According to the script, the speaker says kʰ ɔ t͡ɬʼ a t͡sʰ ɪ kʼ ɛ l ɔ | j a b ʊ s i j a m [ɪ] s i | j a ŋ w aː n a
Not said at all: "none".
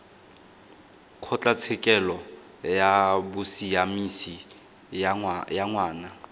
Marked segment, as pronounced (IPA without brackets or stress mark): i